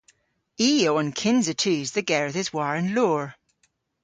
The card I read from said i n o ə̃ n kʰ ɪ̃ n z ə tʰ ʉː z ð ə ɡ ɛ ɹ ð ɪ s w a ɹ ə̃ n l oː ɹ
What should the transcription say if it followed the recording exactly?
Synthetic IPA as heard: i o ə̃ n kʰ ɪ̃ n z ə tʰ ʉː z ð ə ɡ ɛ ɹ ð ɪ z w a ɹ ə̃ n l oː ɹ